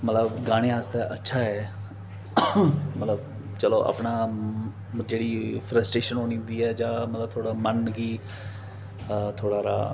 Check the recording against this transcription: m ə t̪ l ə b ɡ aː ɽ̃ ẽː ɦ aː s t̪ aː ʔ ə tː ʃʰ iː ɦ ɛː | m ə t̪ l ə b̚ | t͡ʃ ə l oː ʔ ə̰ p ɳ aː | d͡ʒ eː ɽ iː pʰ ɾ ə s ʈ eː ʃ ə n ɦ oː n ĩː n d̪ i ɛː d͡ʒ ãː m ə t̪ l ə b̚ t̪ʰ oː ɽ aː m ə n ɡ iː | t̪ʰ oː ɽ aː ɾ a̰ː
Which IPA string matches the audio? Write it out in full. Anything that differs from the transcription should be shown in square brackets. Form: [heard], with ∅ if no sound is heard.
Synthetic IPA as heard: m ə t̪ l ə b ɡ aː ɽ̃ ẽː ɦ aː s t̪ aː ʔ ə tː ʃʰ [aː] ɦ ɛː | m ə t̪ l ə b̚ | t͡ʃ ə l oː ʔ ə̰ p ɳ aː | d͡ʒ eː ɽ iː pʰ ɾ ə s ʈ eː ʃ ə n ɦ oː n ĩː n d̪ [iː] ɛː d͡ʒ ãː m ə t̪ l ə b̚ t̪ʰ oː ɽ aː m ə n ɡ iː | t̪ʰ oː ɽ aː ɾ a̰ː

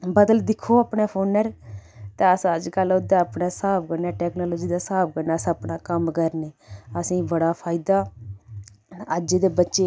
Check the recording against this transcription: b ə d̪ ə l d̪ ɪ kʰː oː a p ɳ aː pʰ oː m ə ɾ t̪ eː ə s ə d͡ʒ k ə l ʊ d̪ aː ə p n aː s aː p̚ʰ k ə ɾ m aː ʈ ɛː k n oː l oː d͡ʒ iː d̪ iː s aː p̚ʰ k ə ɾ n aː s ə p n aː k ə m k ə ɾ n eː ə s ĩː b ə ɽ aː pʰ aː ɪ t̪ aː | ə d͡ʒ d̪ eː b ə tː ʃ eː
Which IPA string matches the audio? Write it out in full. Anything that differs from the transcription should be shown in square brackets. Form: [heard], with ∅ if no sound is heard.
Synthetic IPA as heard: b ə d̪ ə l d̪ ɪ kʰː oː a p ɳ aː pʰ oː [n] ə ɾ t̪ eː ə s ə d͡ʒ k ə l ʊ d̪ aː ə p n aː s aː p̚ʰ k ə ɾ [n] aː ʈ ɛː k n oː l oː d͡ʒ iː d̪ [aː] s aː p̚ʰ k ə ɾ n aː s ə p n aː k ə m k ə ɾ n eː ə s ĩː b ə ɽ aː pʰ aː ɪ [d̪] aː | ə d͡ʒ d̪ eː b ə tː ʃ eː

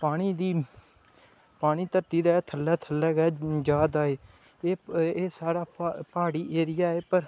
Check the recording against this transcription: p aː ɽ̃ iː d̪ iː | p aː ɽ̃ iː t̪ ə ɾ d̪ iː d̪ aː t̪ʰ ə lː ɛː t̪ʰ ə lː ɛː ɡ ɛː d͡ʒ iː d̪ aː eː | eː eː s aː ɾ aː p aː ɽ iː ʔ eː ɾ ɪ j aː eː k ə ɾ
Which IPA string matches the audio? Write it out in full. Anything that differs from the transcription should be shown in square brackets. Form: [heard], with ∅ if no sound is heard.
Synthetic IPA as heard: p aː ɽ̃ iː d̪ iː | p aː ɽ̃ iː t̪ ə ɾ [t̪] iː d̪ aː t̪ʰ ə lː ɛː t̪ʰ ə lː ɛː ɡ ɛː d͡ʒ [aː] d̪ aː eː | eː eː s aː ɾ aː p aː ɽ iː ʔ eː ɾ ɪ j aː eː [p] ə ɾ

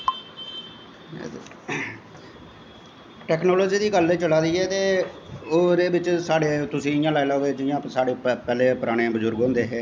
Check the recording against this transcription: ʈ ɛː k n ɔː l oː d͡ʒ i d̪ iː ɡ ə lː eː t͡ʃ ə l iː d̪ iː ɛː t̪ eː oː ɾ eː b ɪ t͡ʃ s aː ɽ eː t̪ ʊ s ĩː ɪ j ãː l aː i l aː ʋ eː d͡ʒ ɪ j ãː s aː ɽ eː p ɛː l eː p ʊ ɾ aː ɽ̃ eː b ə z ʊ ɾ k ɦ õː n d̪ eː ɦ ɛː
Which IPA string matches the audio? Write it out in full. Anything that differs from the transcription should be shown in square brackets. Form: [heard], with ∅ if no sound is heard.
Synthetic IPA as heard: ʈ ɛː k n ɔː l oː d͡ʒ [iː] d̪ iː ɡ ə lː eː t͡ʃ ə l [aː] d̪ iː ɛː t̪ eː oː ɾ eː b ɪ t͡ʃ s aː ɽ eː t̪ ʊ s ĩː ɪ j ãː l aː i l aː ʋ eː d͡ʒ ɪ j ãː s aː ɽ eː p ɛː l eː p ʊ ɾ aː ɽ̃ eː b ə z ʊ ɾ [ɡ] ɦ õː n d̪ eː ɦ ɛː

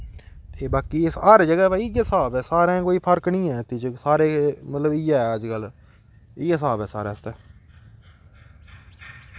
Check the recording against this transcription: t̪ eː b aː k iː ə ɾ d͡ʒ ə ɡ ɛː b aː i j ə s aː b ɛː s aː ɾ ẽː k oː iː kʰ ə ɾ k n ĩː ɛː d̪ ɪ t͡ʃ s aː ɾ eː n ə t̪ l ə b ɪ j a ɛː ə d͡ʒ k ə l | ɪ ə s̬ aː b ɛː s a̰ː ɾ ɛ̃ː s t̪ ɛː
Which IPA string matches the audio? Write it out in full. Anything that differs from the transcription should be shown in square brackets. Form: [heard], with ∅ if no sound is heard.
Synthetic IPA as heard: t̪ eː b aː k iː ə ɾ d͡ʒ ə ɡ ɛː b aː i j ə s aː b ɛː s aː ɾ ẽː k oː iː [pʰ] ə ɾ k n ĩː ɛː [t̪] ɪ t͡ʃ s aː ɾ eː [m] ə t̪ l ə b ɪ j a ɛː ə d͡ʒ k ə l | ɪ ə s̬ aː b ɛː s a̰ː ɾ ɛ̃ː s t̪ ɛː

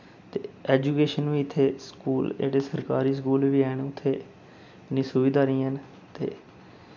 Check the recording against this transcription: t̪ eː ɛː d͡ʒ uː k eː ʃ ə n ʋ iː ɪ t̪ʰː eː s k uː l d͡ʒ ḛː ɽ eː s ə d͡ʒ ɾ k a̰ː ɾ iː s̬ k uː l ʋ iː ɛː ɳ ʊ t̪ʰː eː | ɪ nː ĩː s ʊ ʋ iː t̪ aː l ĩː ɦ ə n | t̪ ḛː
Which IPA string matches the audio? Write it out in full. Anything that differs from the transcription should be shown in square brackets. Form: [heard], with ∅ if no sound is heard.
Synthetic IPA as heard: t̪ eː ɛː d͡ʒ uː k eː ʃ ə n ʋ iː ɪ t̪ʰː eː s k uː l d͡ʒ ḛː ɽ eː s ə [∅] ɾ k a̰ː ɾ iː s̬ k uː l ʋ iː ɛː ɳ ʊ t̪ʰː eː | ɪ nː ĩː s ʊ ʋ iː [d̪] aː [ɾ] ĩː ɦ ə n | t̪ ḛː

